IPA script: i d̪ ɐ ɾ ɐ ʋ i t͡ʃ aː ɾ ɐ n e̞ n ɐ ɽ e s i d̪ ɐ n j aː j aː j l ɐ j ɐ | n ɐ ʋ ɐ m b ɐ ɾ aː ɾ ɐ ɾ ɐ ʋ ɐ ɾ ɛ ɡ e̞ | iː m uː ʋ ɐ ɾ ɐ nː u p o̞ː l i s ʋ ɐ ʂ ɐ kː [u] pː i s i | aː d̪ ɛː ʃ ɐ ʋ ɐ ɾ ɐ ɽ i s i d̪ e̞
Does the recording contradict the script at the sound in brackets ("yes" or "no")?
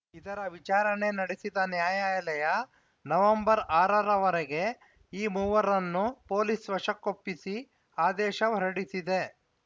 yes